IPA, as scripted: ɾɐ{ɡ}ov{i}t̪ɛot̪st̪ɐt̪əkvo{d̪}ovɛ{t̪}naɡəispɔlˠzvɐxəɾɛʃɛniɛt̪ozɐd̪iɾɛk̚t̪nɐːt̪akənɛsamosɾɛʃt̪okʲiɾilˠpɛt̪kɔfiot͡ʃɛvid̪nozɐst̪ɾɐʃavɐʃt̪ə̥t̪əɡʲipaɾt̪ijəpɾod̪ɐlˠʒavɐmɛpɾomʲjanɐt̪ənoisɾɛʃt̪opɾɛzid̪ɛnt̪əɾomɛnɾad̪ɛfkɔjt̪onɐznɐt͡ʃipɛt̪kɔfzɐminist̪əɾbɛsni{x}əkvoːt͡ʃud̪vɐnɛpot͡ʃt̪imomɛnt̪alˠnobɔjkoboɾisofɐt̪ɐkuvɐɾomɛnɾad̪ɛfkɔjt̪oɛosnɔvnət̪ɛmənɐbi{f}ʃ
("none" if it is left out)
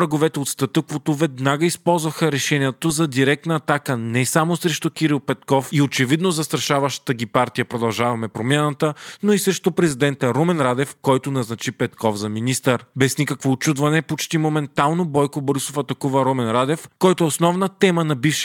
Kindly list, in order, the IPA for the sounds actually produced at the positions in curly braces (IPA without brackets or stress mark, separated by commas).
ɡ, ɛ, t̪, d̪, k, f